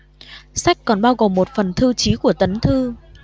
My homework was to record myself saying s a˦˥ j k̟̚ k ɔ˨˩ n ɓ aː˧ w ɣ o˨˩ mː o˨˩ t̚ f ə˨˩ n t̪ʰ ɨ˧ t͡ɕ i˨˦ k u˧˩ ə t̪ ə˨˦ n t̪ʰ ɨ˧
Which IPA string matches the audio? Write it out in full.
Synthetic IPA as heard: s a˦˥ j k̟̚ k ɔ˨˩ n ɓ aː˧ w ɣ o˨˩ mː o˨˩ t̚ f ə˨˩ n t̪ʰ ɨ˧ t͡ɕ i˨˦ k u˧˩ ə t̪ ə˨˦ n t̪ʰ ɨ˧